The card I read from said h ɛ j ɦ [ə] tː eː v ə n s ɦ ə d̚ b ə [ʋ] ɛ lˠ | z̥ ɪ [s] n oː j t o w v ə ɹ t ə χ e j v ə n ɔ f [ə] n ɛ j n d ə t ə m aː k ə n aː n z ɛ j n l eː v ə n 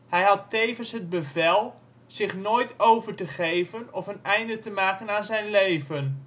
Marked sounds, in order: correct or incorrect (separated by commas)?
incorrect, incorrect, incorrect, correct